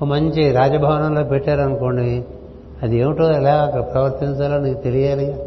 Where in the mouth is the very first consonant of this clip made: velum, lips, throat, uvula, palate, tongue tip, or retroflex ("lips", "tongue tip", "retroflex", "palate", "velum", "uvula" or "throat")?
lips